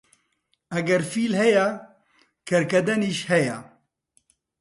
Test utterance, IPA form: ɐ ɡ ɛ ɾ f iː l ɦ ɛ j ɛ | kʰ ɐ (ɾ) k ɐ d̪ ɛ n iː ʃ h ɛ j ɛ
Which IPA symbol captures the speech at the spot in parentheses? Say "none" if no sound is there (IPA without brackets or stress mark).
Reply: ɾ